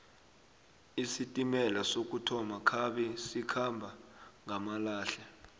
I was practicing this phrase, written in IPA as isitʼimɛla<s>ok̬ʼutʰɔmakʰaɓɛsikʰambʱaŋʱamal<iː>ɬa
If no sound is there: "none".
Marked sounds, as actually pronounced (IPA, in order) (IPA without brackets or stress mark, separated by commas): s, aː